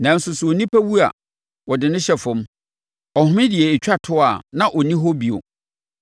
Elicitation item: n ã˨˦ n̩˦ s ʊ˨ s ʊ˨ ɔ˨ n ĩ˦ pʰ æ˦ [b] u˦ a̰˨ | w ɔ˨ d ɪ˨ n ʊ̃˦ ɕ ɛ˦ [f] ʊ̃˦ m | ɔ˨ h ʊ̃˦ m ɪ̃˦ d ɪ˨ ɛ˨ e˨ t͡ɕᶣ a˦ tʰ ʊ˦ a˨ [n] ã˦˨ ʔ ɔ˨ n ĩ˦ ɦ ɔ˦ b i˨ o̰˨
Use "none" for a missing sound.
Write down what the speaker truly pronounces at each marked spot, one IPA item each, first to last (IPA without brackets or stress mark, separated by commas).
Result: w, f, n